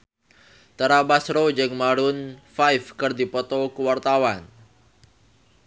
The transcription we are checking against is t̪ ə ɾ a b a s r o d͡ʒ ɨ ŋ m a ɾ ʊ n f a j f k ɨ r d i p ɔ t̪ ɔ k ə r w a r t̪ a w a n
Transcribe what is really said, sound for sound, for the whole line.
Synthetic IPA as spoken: t̪ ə ɾ a b a s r o d͡ʒ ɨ ŋ m a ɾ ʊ n f a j f k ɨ r d i p ɔ t̪ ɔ k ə w a r t̪ a w a n